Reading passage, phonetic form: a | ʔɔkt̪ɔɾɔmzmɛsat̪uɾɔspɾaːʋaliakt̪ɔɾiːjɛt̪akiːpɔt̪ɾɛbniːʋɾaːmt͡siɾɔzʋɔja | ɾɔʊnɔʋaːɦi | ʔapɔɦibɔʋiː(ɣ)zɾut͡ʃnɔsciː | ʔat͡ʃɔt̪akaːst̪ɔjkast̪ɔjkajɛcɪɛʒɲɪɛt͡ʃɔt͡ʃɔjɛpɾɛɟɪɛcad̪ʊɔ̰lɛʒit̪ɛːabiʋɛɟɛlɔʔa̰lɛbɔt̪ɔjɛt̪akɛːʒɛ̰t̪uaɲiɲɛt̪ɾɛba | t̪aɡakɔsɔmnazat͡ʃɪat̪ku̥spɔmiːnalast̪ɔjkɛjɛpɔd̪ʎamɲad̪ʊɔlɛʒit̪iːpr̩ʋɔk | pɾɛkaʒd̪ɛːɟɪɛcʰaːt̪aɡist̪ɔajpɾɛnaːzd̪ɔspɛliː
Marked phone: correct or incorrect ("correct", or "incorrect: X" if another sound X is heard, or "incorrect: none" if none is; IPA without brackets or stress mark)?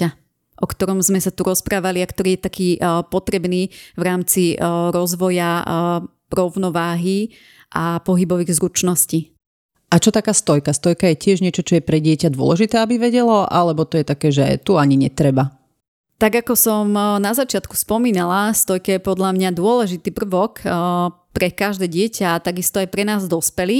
correct